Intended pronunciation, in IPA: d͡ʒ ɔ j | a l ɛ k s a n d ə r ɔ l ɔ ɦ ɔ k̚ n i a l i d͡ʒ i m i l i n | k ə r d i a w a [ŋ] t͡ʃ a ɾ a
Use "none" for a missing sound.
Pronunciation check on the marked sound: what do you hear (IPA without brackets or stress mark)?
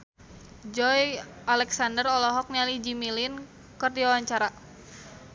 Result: ɲ